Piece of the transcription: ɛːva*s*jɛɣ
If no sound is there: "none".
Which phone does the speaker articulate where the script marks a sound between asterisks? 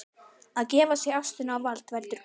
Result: s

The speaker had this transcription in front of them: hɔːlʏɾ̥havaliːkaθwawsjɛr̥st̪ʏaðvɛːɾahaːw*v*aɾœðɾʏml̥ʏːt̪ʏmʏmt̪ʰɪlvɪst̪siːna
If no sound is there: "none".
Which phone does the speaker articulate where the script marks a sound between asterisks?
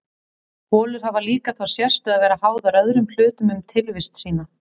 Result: ð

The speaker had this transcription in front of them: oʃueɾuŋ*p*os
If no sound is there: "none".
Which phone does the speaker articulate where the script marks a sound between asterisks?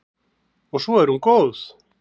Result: k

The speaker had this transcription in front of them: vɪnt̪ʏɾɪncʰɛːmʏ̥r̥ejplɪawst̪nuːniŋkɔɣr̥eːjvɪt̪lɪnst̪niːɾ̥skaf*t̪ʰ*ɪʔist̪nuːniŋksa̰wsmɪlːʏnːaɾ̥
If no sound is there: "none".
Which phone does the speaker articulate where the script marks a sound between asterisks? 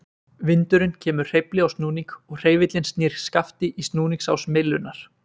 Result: t̪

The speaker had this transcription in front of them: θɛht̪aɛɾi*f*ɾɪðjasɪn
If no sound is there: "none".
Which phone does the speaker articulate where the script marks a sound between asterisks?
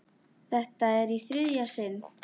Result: θ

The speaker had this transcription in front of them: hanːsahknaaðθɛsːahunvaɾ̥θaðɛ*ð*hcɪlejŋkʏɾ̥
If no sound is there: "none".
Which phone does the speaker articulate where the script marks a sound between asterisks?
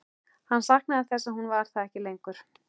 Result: none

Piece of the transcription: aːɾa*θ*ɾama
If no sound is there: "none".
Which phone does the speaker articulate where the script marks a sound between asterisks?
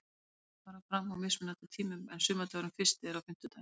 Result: f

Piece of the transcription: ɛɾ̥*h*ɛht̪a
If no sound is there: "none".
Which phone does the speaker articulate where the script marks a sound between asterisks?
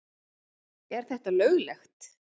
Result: θ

